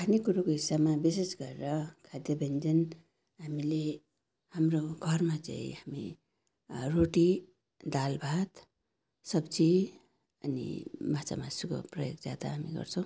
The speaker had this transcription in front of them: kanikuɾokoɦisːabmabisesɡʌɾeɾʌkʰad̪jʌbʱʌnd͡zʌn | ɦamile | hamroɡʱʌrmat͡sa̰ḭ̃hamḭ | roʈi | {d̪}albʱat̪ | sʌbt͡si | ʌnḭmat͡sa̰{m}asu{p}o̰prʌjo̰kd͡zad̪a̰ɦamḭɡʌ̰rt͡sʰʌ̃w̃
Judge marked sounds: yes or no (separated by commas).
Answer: yes, yes, no